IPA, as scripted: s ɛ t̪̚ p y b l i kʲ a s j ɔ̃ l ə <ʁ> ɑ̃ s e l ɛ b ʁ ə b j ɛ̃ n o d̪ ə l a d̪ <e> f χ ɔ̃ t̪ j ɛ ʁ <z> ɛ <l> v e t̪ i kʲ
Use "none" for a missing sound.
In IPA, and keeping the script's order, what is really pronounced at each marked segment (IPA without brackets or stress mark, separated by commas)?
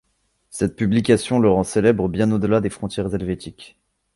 ʁ, e, z, l